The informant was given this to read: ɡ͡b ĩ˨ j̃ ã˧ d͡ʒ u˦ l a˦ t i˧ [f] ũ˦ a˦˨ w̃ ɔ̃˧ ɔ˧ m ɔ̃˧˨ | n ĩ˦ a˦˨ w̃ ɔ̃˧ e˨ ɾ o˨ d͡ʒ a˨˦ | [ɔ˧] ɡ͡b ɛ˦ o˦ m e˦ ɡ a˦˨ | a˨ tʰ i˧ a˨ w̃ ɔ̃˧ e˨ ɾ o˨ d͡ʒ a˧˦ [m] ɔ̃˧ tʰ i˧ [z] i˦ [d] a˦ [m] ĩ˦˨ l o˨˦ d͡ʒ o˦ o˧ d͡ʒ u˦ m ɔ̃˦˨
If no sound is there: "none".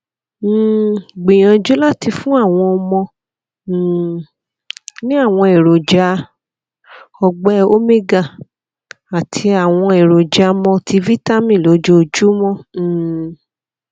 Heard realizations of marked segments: f, ɔ˧, m, v, t, m

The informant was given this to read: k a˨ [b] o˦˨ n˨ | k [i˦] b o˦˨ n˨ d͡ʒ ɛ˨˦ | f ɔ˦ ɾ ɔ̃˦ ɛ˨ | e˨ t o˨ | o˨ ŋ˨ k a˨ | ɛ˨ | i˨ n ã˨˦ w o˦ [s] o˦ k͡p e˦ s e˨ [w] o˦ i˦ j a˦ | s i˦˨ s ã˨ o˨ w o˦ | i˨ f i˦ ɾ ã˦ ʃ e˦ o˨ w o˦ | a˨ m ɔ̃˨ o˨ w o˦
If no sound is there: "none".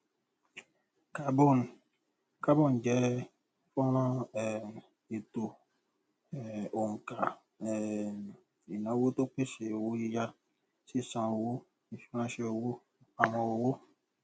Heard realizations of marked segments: b, a˦, t, w

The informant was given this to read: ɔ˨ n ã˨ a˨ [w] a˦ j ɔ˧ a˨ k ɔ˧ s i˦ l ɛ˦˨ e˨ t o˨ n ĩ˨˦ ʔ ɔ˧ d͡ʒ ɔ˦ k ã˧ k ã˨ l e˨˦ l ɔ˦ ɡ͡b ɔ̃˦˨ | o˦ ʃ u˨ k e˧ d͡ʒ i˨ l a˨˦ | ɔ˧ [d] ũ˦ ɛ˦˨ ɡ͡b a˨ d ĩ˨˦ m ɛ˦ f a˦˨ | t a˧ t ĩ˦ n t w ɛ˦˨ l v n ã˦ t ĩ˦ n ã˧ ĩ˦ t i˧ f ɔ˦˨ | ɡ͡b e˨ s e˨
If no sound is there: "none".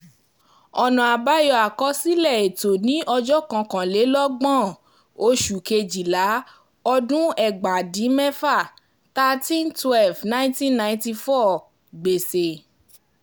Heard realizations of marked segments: b, d

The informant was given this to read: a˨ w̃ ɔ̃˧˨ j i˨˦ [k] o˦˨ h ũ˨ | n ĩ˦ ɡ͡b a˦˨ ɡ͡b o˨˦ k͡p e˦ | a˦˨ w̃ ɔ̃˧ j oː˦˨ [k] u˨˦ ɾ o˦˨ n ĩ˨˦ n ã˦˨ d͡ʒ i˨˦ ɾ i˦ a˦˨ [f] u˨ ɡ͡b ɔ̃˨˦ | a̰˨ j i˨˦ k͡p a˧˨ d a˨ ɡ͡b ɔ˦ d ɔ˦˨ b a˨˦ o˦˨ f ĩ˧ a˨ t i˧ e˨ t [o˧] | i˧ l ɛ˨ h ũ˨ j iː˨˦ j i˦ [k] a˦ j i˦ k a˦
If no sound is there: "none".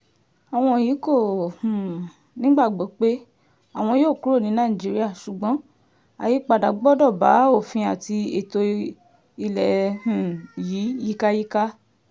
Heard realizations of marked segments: k, k, ʃ, o˧, k

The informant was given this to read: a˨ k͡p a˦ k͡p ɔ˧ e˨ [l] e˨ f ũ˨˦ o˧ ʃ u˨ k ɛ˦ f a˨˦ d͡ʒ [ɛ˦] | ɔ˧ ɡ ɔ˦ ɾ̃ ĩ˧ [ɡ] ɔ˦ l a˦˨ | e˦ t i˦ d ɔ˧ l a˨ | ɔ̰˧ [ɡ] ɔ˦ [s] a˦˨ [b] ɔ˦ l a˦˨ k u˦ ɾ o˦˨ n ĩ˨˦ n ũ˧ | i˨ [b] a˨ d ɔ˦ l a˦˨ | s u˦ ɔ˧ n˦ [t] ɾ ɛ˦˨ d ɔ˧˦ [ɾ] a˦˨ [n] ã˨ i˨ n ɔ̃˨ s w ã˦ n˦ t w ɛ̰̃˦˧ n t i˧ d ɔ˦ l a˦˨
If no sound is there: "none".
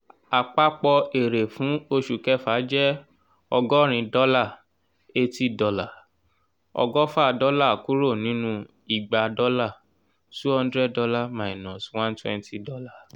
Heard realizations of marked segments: ɾ, ɛ˦, d, ɡ, f, d, ɡ͡b, d, l, m

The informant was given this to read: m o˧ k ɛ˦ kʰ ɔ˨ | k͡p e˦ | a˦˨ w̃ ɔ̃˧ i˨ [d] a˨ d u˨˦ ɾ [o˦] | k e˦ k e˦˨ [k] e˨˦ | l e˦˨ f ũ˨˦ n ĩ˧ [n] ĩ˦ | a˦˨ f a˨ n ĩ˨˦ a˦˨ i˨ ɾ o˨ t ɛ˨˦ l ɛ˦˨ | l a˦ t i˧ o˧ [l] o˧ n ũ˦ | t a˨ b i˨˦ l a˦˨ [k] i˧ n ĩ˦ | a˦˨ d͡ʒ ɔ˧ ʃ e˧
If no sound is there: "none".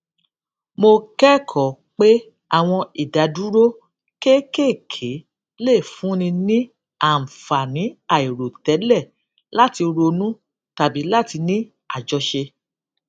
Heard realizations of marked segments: d, o˦, kʰ, n, ɾ, t

